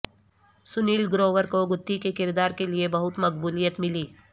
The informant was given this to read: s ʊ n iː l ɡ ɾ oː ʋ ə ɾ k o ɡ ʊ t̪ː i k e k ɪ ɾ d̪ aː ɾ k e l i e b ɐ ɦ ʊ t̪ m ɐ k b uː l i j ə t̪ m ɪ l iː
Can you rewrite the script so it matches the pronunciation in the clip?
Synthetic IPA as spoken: s ʊ n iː l ɡ ɾ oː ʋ ə ɾ k o ɡ ʊ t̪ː i k e k ɪ ɾ d̪ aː ɾ k e l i e b ɐ ɦ ʊ t̪ m ɐ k b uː l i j ə t̪ m ɪ l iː